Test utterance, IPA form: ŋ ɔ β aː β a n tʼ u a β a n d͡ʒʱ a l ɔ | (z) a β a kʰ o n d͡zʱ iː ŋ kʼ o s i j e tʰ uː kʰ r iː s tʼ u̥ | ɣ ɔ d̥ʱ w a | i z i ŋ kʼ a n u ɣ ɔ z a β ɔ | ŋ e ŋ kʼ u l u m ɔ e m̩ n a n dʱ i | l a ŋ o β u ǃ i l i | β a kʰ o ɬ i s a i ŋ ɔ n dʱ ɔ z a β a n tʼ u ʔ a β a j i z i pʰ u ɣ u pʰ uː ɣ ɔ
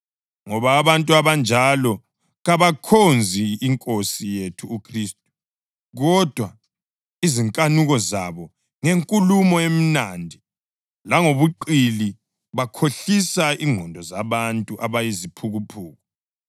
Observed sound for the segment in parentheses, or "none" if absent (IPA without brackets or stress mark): ɣ